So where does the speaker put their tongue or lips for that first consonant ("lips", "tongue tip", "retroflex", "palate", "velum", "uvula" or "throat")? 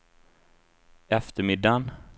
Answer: lips